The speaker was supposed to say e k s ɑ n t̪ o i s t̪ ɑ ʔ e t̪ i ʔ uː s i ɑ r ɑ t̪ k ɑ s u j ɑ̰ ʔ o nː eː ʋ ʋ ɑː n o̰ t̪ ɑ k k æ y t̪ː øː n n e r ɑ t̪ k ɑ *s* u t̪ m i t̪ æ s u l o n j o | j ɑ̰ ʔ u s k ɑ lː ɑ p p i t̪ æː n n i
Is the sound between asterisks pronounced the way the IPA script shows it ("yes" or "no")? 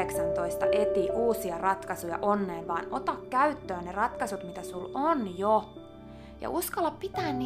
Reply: yes